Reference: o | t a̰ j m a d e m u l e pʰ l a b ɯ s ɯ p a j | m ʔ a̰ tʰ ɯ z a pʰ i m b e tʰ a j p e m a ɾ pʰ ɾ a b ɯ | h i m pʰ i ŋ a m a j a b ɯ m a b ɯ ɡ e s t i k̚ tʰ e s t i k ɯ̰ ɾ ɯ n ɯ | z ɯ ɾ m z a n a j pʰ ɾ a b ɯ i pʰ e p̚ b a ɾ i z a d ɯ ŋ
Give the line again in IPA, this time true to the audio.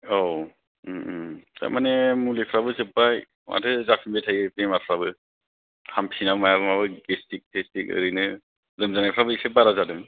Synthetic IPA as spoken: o | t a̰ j m a n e m u l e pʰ ɾ a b ɯ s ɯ p a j | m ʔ a̰ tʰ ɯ z a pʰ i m b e tʰ a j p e m a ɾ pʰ ɾ a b ɯ | h a m pʰ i n a m a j a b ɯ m a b ɯ ɡ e s t i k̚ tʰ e s t i k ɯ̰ ɾ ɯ n ɯ | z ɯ m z a n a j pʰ ɾ a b ɯ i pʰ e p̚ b a ɾ a z a d ɯ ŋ